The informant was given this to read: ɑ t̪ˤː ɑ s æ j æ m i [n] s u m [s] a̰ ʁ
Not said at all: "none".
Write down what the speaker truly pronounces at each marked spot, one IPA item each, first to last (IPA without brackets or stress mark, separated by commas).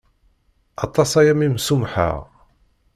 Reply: m, ħ